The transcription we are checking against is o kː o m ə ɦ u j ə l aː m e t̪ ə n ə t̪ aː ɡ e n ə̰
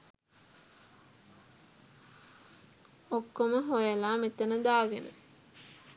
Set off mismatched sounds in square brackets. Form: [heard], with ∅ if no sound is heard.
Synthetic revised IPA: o kː o m ə ɦ [o] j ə l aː m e t̪ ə n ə [d̪] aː ɡ e n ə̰